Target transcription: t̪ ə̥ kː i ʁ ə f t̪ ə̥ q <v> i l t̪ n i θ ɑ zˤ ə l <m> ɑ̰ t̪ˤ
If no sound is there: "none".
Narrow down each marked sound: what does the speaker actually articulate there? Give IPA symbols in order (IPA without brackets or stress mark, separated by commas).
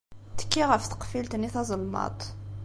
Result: f, m